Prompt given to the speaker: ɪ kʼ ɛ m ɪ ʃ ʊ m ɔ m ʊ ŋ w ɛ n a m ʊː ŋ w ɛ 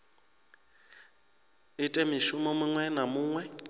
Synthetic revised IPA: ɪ tʼ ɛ m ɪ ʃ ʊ m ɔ m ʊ ŋ w ɛ n a m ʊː ŋ w ɛ